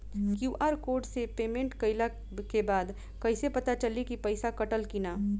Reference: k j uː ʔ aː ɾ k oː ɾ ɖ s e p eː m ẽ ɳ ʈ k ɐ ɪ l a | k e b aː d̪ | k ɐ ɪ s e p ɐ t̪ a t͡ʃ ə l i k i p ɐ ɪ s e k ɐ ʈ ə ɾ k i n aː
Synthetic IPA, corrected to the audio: k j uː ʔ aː ɾ k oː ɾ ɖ s e p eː m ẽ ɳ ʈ k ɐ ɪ l a | k e b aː d̪ | k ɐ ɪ s e p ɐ t̪ a t͡ʃ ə l i k i p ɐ ɪ s a k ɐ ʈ ə l k i n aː

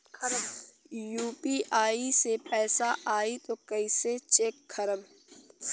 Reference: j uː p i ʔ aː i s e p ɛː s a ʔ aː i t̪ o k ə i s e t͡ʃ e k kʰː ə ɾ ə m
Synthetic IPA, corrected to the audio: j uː p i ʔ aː i s e p ɛː s a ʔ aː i t̪ o k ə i s e t͡ʃ e k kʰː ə ɾ ə m

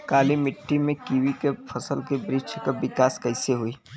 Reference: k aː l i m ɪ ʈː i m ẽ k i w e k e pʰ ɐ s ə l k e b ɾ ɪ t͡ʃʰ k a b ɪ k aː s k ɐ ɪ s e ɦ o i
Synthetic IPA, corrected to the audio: k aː l i m ɪ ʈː i m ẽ k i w i k e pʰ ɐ s ə l k e b ɾ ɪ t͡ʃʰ k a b ɪ k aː s k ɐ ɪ s e ɦ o i

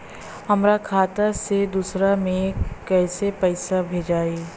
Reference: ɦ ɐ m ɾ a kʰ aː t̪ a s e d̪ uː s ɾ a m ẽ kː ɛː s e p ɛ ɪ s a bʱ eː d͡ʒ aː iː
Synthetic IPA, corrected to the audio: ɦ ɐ m ɾ a kʰ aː t̪ a s e d̪ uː s ɾ a m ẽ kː ɛː s e p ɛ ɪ s a bʱ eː d͡ʒ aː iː

